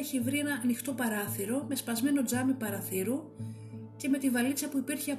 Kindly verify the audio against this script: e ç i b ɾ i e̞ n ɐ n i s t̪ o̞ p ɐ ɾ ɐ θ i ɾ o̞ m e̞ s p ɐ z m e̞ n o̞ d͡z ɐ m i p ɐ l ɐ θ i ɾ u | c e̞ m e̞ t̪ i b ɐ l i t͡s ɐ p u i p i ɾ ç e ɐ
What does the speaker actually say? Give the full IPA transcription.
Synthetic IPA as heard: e ç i v ɾ i e̞ n ɐ n i x t̪ o̞ p ɐ ɾ ɐ θ i ɾ o̞ m e̞ s p ɐ z m e̞ n o̞ d͡z ɐ m i p ɐ ɾ ɐ θ i ɾ u | c e̞ m e̞ t̪ i v ɐ l i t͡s ɐ p u i p i ɾ ç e ɐ